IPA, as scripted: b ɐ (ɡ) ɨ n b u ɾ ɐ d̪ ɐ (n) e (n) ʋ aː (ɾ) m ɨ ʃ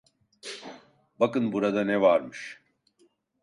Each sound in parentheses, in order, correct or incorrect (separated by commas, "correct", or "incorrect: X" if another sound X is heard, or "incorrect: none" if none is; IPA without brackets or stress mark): incorrect: k, correct, incorrect: none, correct